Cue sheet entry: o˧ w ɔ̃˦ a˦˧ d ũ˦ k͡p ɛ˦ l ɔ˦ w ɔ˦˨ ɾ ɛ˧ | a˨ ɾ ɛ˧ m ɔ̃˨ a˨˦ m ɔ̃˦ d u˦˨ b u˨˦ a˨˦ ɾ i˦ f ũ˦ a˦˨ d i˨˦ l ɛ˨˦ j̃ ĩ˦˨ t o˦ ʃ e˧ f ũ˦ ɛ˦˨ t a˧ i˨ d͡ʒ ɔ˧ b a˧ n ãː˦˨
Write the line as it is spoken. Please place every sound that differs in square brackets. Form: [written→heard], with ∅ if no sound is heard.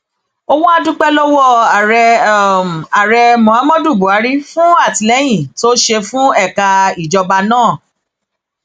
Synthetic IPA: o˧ w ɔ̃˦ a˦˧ d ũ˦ k͡p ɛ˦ l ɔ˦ w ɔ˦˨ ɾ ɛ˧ | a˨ ɾ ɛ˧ m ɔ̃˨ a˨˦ m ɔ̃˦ d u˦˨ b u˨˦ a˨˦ ɾ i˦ f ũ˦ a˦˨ [d→t] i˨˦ l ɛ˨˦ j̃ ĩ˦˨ t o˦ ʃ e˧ f ũ˦ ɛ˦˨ [t→k] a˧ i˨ d͡ʒ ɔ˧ b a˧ n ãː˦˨